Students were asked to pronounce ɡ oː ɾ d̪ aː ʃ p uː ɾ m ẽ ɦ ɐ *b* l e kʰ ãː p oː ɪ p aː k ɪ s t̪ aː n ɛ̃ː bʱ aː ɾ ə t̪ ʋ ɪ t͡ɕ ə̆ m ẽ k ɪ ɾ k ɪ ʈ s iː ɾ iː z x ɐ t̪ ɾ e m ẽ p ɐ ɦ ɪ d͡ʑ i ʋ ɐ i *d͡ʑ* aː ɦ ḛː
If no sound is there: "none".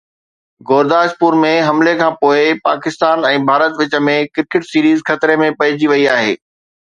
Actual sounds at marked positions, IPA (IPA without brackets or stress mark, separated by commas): m, none